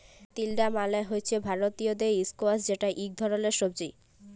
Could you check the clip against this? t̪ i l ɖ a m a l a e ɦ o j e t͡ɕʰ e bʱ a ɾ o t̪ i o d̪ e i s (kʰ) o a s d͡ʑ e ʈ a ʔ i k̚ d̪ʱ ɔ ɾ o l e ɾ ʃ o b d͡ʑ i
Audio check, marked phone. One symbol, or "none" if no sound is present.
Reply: k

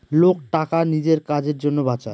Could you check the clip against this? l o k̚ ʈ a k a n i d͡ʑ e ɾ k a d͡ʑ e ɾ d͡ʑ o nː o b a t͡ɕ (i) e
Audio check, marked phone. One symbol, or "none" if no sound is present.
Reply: a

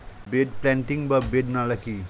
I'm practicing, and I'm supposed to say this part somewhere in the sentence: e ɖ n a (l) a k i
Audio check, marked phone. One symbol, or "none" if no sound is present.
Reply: l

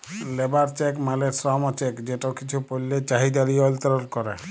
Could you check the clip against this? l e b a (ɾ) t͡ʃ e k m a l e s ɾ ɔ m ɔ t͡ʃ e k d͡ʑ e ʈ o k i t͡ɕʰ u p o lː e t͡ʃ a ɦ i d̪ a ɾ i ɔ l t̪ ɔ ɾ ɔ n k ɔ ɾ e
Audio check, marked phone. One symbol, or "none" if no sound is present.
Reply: ɾ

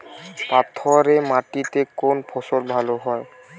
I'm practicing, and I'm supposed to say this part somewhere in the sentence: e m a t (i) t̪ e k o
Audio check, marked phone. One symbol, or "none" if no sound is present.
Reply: i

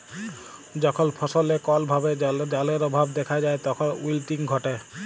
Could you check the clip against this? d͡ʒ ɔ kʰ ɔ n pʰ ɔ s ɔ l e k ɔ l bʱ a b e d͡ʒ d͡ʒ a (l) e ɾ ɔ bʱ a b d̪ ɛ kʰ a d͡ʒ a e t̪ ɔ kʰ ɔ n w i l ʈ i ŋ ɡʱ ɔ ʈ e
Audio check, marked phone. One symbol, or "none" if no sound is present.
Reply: l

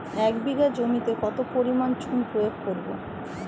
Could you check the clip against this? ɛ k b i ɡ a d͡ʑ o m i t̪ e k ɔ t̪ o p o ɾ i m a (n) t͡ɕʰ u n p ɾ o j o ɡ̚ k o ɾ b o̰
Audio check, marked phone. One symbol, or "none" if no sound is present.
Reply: n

